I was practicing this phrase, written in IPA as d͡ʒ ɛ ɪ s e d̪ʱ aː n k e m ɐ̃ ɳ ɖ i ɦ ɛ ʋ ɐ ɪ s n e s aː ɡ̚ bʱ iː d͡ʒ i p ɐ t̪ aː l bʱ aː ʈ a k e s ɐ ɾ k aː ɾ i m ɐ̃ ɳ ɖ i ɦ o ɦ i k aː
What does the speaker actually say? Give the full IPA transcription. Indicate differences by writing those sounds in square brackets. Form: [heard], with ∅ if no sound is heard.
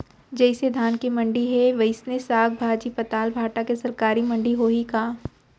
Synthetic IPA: d͡ʒ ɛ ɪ s e d̪ʱ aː n k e m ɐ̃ ɳ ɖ i ɦ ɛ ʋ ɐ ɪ s n e s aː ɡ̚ bʱ [aː] d͡ʒ i p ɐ t̪ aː l bʱ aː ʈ a k e s ɐ ɾ k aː ɾ i m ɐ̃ ɳ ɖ i ɦ o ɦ i k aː